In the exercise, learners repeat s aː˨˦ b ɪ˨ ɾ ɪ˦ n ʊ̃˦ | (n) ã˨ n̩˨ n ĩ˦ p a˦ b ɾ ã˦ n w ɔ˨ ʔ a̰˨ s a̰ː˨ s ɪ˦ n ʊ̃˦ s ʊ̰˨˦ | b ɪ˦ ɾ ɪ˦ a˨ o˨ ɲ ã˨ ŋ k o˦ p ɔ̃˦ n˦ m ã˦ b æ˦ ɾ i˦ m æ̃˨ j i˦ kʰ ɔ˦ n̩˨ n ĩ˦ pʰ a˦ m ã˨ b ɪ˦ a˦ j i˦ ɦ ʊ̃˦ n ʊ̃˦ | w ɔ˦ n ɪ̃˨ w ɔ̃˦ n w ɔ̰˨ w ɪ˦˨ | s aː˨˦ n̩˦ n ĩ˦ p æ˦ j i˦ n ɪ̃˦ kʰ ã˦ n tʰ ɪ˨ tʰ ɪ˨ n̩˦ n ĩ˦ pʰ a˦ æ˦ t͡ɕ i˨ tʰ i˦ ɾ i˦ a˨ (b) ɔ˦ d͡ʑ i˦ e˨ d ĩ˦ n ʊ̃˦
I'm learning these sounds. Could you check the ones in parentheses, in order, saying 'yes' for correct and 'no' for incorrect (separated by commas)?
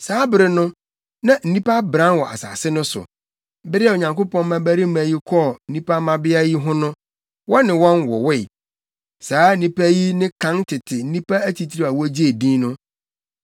yes, no